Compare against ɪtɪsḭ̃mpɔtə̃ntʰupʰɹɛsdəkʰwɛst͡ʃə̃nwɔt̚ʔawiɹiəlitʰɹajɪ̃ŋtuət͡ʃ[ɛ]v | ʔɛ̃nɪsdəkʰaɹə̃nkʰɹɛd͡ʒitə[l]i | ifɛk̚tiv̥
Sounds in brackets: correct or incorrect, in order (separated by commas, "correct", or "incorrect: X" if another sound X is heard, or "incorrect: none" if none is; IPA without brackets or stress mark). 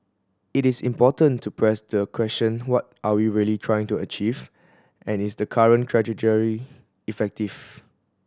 incorrect: i, incorrect: ɹ